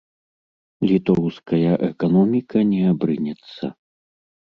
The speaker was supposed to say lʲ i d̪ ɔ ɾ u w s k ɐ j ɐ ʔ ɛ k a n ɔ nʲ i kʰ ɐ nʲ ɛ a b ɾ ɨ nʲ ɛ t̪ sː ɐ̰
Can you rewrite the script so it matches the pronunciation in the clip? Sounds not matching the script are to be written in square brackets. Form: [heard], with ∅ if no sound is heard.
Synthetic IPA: lʲ i [t̪] ɔ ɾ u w s k ɐ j ɐ ʔ ɛ k a n ɔ [mʲ] i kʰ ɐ nʲ ɛ a b ɾ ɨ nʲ ɛ t̪ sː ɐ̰